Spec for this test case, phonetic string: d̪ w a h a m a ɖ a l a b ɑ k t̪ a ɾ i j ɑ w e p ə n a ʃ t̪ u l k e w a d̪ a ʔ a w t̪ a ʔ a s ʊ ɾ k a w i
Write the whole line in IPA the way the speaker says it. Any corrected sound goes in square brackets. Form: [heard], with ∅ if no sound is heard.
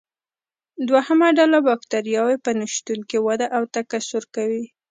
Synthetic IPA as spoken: d̪ w a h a m a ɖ a l a b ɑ k t̪ a ɾ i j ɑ w e p ə n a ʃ t̪ u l k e w a d̪ a ʔ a w t̪ a [k] a s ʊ ɾ k a w i

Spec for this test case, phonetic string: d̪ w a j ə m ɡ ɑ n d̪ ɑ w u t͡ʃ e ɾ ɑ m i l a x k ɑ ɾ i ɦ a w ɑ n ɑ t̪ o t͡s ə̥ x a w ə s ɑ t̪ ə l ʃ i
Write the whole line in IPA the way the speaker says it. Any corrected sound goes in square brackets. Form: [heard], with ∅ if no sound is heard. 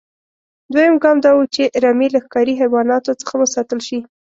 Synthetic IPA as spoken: d̪ w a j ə m ɡ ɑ [m] d̪ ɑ w u t͡ʃ e ɾ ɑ m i l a x k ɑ ɾ i ɦ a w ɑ n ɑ t̪ o t͡s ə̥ x a w ə s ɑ t̪ ə l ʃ i

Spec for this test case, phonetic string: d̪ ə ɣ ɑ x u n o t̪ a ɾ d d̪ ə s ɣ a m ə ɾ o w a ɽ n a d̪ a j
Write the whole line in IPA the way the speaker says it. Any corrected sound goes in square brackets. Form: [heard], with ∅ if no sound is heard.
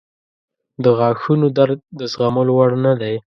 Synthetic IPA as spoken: d̪ ə ɣ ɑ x u n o [d̪] a ɾ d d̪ ə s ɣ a m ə [l] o w a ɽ n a d̪ a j

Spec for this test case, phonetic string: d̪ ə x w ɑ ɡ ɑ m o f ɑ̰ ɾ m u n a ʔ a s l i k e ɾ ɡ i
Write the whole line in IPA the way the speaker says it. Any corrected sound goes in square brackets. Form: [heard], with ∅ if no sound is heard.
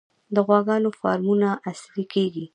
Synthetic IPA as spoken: d̪ ə [ɣ] w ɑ ɡ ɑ [n] o f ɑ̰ ɾ m u n a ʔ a s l i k e [∅] ɡ i

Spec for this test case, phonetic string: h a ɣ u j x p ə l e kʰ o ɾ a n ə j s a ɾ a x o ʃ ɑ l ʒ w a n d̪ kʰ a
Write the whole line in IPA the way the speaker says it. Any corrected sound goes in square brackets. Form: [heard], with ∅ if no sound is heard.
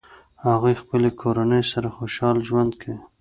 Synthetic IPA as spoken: h a ɣ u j x p ə l e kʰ o ɾ a n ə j s a ɾ a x o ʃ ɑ l ʒ w a n d̪ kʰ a

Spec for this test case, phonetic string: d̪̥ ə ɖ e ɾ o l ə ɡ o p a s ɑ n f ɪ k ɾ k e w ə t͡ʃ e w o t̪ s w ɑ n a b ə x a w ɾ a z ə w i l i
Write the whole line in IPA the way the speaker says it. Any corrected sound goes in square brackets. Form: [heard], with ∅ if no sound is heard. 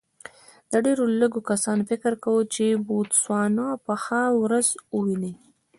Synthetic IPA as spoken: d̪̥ ə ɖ e ɾ o l ə ɡ o [k] a s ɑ n f ɪ k ɾ k [a] w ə t͡ʃ e [b] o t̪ s w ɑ n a [p] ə x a w ɾ a z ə w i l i

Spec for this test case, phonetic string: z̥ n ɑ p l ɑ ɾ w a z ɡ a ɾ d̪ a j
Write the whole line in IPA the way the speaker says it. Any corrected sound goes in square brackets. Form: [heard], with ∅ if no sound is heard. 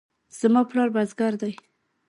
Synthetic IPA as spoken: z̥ [m] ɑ p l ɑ ɾ [b] a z ɡ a ɾ d̪ a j

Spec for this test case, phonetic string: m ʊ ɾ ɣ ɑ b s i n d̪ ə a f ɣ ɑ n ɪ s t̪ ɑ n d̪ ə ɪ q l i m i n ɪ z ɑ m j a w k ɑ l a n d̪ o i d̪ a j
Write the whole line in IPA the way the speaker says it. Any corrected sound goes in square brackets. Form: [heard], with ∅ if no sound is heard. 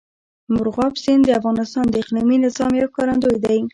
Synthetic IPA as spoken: m ʊ ɾ ɣ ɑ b s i n d̪ ə a f ɣ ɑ n ɪ s t̪ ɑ n d̪ ə ɪ q l i m i n ɪ z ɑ m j a w k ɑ [ɾ] a n d̪ o [j] d̪ a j

